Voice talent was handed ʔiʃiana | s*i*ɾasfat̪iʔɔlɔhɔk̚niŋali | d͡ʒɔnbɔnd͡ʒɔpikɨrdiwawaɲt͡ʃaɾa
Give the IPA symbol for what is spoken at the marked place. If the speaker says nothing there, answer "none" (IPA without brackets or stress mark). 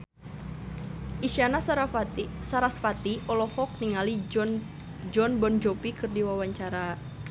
a